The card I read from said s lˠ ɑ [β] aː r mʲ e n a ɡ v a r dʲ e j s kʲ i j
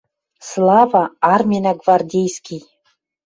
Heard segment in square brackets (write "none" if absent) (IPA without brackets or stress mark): v